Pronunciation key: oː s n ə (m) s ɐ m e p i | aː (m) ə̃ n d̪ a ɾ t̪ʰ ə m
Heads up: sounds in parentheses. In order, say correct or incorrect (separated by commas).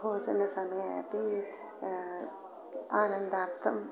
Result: incorrect, incorrect